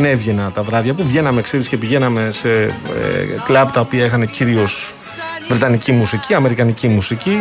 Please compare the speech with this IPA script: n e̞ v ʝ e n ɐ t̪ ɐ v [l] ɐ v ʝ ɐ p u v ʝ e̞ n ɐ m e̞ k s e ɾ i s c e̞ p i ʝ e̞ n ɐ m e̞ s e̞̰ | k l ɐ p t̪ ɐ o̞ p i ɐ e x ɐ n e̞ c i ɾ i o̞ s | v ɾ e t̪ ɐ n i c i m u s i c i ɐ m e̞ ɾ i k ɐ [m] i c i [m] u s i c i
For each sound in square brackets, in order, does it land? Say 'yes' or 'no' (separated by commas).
no, no, yes